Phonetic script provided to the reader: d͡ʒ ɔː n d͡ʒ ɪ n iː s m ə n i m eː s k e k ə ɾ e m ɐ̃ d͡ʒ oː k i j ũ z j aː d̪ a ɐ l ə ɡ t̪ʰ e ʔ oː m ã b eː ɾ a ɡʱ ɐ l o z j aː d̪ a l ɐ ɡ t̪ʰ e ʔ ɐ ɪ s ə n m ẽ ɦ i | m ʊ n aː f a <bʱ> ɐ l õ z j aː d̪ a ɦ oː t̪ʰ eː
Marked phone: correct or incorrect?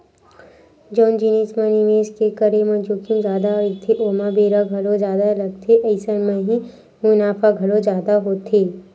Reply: incorrect